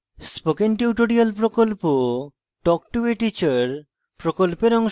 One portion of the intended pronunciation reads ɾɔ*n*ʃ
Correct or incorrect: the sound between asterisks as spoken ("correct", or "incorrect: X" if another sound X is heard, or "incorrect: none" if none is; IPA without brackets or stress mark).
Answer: incorrect: ŋ